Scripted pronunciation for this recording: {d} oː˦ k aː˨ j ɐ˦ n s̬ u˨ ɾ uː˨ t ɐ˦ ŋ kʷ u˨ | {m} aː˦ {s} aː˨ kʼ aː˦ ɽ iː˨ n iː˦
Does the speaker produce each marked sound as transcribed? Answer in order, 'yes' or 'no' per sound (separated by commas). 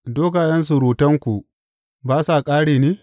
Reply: yes, no, yes